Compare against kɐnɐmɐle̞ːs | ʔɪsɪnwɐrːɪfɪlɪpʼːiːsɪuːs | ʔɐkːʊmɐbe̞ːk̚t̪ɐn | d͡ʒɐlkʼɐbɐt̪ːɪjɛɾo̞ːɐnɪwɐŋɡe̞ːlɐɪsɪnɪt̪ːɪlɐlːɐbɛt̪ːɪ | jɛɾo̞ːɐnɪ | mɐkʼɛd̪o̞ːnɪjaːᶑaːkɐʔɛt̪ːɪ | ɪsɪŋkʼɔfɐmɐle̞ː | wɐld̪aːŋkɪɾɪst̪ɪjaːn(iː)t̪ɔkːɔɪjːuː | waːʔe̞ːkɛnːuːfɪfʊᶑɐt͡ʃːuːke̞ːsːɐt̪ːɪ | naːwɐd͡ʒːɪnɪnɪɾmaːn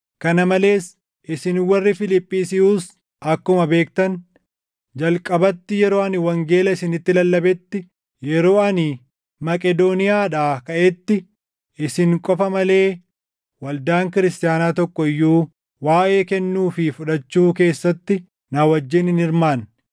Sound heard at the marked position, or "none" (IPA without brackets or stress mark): aː